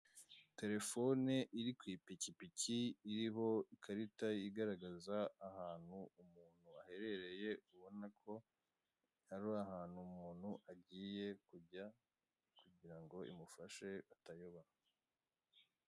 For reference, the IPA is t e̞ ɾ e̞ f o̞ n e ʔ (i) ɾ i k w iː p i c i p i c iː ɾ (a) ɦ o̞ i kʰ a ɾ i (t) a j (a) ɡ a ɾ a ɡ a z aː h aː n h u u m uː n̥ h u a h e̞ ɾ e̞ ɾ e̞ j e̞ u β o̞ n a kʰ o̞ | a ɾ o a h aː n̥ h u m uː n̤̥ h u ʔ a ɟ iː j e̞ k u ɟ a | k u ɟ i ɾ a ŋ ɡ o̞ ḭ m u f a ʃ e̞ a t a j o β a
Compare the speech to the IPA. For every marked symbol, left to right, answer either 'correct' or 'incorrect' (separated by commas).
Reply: correct, incorrect, correct, incorrect